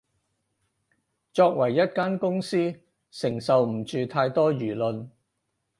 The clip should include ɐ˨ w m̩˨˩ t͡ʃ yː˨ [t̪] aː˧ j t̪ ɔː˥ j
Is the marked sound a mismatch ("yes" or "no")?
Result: yes